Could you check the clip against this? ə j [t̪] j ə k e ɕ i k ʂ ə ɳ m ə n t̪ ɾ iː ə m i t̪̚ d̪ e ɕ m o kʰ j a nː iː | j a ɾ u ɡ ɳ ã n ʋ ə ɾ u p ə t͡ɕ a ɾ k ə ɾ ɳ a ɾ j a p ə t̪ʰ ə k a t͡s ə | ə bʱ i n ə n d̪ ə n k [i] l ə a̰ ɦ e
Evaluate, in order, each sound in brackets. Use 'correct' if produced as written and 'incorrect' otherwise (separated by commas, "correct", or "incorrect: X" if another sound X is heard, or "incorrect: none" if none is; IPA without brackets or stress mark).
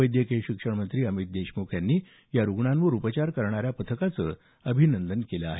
incorrect: d̪, incorrect: e